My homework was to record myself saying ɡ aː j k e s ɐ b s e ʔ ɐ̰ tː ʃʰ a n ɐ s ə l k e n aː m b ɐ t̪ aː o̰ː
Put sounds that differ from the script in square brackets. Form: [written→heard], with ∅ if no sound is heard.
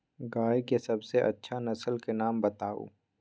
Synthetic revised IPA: ɡ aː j k e s ɐ b s e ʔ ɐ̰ tː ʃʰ a n ɐ s ə l k e n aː m b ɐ t̪ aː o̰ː